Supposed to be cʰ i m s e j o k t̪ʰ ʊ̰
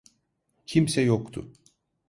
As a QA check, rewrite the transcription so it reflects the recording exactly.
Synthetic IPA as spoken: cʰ i m s ɛ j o k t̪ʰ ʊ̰

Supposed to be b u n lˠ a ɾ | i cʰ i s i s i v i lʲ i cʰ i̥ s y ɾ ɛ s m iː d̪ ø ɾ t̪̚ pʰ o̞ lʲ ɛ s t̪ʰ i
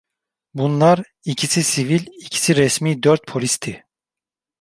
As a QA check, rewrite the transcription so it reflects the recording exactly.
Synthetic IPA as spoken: b u n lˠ a ɾ | i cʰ i s i s i v i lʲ i cʰ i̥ s i ɾ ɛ s m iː d̪ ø ɾ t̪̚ pʰ o̞ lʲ i s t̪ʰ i

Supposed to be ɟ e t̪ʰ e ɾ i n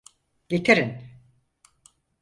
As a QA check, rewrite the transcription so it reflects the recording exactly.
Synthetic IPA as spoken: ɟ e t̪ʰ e ɾ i n

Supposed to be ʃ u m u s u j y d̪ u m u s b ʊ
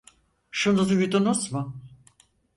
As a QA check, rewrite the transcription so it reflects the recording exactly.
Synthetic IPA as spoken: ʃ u n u z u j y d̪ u n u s m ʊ

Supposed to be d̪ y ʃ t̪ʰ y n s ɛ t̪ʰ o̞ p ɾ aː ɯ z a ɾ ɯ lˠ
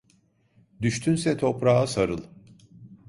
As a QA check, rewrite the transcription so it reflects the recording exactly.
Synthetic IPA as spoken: d̪ y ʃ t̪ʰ y n s ɛ t̪ʰ o̞ p ɾ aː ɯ s a ɾ ɯ lˠ

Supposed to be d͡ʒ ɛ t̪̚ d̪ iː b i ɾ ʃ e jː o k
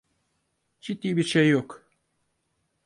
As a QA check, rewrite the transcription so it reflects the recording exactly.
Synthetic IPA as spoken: d͡ʒ i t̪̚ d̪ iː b i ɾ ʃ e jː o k

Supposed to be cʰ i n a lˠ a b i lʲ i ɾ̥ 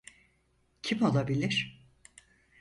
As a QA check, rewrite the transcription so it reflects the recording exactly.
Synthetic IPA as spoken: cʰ i m a lˠ a b i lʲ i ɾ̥

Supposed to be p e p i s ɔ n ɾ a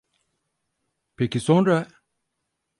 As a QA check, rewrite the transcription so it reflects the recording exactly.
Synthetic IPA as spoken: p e k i s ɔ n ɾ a

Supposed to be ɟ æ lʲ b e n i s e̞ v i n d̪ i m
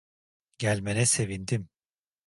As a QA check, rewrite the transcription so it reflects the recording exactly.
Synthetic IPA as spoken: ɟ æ lʲ m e n ɛ s e̞ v i n d̪ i m

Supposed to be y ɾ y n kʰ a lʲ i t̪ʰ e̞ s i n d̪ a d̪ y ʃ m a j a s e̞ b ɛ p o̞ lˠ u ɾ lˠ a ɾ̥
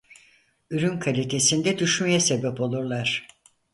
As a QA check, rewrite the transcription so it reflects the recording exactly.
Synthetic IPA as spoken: y ɾ y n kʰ a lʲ i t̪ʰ e̞ s i n d̪ ɛ d̪ y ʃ m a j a s e̞ b ɛ p o̞ lˠ u ɾ lˠ a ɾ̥

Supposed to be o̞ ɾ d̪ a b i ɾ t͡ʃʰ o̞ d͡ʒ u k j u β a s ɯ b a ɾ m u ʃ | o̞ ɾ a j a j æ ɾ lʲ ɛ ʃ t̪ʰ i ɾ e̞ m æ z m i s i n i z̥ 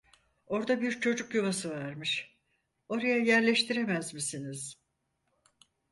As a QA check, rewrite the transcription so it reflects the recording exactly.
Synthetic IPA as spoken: o̞ ɾ d̪ a b i ɾ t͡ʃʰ o̞ d͡ʒ u k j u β a s ɯ v a ɾ m ɯ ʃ | o̞ ɾ a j a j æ ɾ lʲ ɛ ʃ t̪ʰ i ɾ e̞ m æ z m i s i n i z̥

